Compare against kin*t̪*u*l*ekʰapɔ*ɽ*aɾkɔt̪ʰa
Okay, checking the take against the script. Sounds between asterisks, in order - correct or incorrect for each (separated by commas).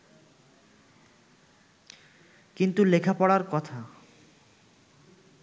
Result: correct, correct, correct